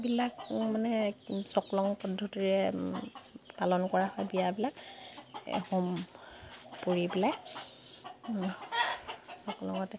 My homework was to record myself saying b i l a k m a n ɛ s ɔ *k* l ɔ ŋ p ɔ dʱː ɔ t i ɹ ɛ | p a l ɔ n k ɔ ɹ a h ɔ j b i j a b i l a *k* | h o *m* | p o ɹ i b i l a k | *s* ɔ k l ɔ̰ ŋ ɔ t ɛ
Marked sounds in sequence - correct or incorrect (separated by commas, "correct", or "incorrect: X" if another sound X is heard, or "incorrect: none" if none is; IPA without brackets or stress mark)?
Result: correct, correct, correct, correct